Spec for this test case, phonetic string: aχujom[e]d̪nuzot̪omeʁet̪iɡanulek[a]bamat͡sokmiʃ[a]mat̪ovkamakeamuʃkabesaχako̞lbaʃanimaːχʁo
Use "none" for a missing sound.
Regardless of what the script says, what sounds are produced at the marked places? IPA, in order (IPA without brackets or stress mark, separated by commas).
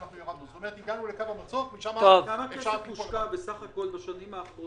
a, a, a